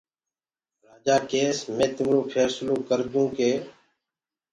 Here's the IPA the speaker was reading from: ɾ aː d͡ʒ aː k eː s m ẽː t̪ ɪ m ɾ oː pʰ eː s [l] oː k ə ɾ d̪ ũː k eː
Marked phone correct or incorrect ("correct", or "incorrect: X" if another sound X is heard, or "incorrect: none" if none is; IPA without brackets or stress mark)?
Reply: correct